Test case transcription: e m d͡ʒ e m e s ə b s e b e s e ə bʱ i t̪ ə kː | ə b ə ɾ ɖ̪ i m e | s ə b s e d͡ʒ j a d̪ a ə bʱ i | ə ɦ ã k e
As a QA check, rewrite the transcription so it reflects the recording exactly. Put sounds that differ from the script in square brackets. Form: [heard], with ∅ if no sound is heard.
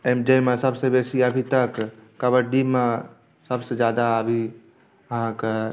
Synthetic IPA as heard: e m d͡ʒ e m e s ə b s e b e s [i] ə bʱ i t̪ ə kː | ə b ə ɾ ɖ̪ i m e | s ə b s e d͡ʒ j a d̪ a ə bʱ i | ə ɦ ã k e